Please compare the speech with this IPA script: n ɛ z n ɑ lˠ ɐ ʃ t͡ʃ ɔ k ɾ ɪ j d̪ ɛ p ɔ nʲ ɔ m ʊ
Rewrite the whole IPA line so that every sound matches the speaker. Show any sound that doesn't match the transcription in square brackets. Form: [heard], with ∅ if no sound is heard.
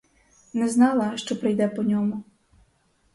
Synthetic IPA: n ɛ z n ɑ lˠ ɐ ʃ t͡ʃ ɔ [p] ɾ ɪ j d̪ ɛ p ɔ nʲ ɔ m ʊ